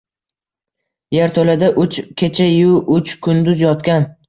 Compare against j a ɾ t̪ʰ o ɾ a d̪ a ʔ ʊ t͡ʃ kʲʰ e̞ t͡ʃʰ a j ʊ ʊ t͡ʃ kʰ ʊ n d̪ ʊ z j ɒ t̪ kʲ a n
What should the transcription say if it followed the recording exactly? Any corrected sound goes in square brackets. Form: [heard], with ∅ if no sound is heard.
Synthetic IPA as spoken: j a ɾ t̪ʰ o [l] a d̪ a ʔ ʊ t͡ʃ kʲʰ e̞ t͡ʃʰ a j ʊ ʊ t͡ʃ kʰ ʊ n d̪ ʊ z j ɒ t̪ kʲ a n